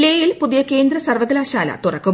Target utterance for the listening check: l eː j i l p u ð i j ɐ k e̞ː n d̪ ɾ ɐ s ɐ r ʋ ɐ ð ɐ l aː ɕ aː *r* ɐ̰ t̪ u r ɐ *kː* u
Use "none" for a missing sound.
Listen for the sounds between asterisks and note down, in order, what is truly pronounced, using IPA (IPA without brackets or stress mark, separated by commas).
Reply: l, kː